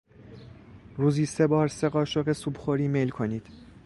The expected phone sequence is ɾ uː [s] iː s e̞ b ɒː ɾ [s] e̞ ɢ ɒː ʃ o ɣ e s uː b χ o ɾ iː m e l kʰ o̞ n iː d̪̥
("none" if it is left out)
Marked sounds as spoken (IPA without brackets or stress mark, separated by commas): z, s